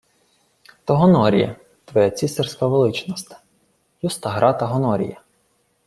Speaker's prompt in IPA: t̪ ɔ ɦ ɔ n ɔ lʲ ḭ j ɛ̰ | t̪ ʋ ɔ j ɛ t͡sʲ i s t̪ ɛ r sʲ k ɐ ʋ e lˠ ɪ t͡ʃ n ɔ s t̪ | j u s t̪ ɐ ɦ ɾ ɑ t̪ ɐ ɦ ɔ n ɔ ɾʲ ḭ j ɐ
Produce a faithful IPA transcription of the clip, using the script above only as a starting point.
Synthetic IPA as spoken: t̪ ɔ ɦ ɔ n ɔ ɾʲ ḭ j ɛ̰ | t̪ ʋ ɔ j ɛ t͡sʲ i s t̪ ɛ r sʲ k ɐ ʋ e lˠ ɪ t͡ʃ n ɔ s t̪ | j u s t̪ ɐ ɦ ɾ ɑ t̪ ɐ ɦ ɔ n ɔ ɾʲ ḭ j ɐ